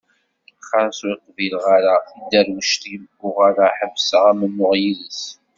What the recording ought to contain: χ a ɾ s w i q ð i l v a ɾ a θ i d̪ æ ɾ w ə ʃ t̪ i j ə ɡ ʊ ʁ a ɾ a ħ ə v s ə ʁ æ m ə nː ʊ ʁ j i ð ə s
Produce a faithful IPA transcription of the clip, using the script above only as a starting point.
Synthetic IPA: χ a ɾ s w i q v i l ʁ a ɾ a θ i d̪ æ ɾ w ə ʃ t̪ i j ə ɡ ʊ ʁ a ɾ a ħ ə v s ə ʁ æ m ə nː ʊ ʁ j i ð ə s